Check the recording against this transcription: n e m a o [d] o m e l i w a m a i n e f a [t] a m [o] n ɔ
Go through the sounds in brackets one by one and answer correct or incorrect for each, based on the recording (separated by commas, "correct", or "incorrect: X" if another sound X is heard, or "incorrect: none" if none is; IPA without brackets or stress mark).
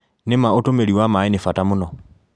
incorrect: t, correct, incorrect: u